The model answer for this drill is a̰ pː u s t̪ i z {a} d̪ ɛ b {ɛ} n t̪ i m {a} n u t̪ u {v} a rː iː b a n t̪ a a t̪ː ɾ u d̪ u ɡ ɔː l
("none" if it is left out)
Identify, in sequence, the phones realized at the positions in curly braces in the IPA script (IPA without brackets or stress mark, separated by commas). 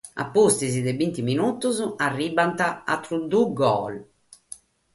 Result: i, i, i, z